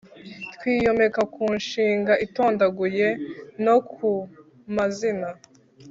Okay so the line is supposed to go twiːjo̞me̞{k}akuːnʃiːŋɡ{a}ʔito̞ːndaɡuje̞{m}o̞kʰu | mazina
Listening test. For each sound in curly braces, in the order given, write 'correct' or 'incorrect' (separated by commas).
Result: correct, correct, incorrect